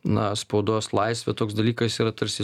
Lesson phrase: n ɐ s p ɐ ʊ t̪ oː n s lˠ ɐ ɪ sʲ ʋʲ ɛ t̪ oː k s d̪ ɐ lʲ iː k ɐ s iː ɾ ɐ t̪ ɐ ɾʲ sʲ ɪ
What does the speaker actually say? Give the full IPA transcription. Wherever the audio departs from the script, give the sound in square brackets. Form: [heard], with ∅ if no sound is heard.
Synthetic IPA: n ɐ s p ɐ ʊ [d̪] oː [∅] s lˠ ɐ ɪ sʲ ʋʲ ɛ t̪ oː k s d̪ ɐ lʲ iː k ɐ s iː ɾ ɐ t̪ ɐ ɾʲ sʲ ɪ